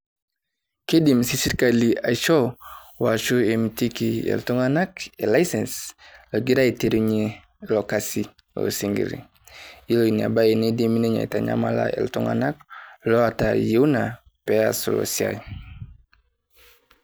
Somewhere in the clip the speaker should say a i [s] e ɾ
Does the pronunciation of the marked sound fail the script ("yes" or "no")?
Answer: yes